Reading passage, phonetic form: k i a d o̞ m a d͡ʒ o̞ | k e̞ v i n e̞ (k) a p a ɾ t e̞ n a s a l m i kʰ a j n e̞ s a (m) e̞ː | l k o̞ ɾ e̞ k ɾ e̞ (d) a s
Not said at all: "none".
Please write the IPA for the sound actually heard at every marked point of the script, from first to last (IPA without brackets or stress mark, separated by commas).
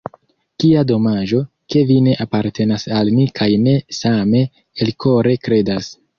ʔ, m, d